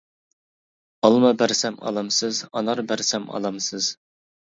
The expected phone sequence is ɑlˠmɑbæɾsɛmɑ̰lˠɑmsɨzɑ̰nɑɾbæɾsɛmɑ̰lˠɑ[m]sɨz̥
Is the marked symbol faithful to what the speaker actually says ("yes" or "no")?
yes